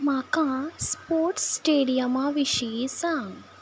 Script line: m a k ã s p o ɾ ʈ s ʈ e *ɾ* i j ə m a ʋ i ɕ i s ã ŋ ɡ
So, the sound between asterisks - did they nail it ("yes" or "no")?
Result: no